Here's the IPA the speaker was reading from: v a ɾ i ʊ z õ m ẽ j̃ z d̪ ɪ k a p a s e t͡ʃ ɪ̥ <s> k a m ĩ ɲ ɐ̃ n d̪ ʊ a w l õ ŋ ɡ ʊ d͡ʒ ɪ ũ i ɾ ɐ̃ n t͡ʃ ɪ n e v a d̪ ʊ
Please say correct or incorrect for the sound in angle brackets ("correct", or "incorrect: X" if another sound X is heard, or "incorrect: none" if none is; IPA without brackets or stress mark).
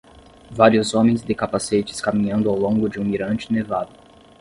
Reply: correct